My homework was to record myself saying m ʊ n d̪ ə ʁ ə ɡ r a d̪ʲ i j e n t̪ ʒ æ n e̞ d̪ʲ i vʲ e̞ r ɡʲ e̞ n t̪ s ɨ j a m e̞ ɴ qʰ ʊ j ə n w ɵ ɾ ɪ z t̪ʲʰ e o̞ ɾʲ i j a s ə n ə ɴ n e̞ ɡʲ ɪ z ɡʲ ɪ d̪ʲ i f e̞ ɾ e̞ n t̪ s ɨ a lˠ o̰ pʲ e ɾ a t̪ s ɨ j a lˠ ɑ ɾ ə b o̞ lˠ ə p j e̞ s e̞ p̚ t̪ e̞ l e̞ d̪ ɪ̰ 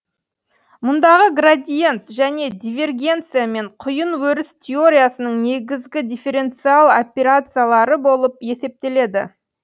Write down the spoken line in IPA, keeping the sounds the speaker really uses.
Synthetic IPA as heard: m ʊ n d̪ ɑ ʁ ə ɡ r a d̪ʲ i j e n t̪ ʒ æ n e̞ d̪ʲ i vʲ e̞ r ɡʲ e̞ n t̪ s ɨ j a m e̞ ɴ qʰ ʊ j ə n w ɵ ɾ ɪ s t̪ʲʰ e o̞ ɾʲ i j a s ə n ə ɴ n e̞ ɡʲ ɪ z ɡʲ ɪ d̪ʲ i f e̞ ɾ e̞ n t̪ s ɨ a lˠ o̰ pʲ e ɾ a t̪ s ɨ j a lˠ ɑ ɾ ə b o̞ lˠ ə p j e̞ s e̞ p̚ t̪ e̞ l e̞ d̪ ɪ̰